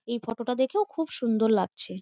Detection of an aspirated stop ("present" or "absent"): present